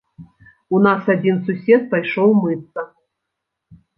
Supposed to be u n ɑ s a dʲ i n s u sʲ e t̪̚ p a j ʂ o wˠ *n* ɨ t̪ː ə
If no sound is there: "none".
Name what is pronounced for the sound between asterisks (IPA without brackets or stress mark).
m